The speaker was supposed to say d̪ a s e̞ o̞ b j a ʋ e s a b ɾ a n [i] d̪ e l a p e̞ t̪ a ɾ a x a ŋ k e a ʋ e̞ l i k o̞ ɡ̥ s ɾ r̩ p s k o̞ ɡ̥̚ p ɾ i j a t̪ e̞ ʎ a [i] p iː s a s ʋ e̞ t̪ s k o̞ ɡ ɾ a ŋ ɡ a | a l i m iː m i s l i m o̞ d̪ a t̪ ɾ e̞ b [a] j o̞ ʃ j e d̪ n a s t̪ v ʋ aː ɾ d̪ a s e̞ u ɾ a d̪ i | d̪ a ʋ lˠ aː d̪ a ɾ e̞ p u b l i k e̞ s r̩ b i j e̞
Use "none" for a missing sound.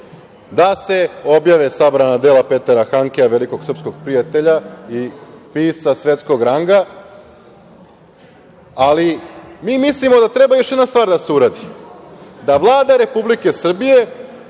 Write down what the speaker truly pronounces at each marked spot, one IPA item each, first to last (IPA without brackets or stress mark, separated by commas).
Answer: a, i, a